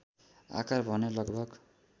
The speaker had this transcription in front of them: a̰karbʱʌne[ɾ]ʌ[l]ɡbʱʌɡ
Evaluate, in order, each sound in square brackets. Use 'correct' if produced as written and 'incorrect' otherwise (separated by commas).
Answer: incorrect, incorrect